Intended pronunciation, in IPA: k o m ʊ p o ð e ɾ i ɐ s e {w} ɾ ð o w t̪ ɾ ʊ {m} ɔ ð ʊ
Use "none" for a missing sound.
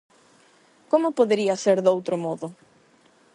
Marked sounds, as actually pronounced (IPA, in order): none, m

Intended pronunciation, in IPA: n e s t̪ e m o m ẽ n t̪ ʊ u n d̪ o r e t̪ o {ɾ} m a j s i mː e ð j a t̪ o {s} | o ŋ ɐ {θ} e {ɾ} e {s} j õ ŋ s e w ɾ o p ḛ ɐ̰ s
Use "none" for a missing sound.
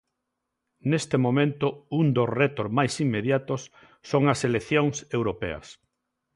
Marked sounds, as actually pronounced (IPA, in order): ɾ, sː, s, l, θ

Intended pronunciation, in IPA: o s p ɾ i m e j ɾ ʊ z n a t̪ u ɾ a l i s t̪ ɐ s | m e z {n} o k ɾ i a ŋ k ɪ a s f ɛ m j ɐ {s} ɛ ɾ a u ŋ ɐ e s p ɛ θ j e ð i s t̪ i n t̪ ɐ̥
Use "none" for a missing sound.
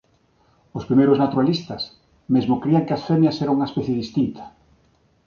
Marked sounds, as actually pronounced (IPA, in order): m, s

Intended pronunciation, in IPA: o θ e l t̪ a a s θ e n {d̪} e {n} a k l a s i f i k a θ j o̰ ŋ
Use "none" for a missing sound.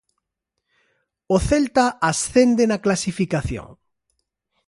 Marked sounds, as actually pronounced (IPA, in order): d̪, n

